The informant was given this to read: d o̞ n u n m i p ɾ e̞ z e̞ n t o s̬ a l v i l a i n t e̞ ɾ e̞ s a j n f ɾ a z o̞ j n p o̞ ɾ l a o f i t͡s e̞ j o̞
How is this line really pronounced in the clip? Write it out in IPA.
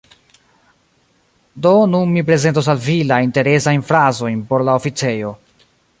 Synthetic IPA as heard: d o̞ n u n m i p ɾ e̞ z e̞ n t o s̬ a l v i l a i n t e̞ ɾ e̞ s a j n f ɾ a z o̞ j n p o̞ ɾ l a o f i t͡s e̞ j o̞